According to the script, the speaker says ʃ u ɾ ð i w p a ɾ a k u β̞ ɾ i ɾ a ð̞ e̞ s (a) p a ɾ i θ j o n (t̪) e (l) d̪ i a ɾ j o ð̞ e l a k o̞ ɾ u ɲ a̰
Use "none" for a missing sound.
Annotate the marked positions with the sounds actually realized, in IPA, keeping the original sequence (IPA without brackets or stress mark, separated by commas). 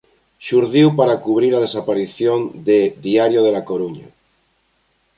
a, d̪, none